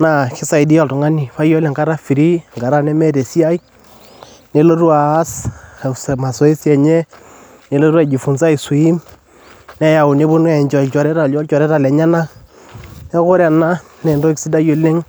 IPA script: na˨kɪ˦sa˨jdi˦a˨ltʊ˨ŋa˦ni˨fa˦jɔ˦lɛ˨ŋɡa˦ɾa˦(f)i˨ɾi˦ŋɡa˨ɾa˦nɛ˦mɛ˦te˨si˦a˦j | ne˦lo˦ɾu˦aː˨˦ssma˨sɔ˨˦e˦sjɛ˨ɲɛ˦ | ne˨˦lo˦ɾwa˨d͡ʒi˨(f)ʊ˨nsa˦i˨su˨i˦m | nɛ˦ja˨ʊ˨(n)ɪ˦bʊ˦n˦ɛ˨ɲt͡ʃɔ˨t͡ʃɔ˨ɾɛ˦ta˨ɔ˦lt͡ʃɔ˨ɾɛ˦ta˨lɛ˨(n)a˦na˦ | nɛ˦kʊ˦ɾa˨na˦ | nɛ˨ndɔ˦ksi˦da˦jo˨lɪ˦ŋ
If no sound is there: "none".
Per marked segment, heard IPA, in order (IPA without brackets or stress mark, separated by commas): f, f, n, ɲ